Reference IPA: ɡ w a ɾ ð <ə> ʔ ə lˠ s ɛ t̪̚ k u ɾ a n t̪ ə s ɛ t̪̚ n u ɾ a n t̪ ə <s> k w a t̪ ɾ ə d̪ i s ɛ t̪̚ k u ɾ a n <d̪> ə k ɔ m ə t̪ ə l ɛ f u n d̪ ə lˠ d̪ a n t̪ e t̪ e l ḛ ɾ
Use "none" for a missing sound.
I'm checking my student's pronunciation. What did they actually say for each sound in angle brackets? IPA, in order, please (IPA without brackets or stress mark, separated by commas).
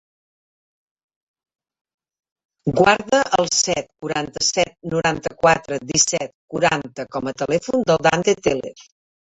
ə, none, t̪